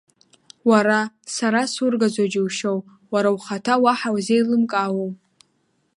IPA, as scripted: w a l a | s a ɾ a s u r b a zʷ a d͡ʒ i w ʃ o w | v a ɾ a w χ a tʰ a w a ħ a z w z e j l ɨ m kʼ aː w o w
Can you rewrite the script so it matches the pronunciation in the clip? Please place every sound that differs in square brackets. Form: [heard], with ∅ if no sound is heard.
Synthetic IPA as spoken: w a [ɾ] a | s a ɾ a s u r [ɡ] a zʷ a d͡ʒ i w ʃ o w | [w] a ɾ a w χ a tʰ a w a ħ a [∅] w z e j l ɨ m kʼ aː w o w